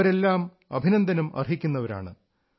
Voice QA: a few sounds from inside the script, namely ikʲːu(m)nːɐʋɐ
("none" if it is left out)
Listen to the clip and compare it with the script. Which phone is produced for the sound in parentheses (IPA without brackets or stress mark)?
none